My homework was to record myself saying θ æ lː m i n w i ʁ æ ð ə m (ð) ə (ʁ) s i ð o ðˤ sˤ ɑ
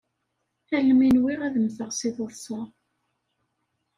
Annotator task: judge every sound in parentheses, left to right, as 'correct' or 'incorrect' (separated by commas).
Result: incorrect, correct